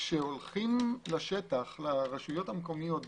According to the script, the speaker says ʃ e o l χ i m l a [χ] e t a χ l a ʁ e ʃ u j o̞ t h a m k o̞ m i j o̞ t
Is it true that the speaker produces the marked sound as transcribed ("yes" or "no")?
no